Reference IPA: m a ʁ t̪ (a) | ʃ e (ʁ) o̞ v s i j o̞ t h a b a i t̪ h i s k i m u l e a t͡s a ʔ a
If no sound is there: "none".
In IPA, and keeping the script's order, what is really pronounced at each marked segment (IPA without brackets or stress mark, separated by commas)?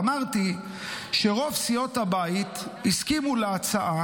i, ʁ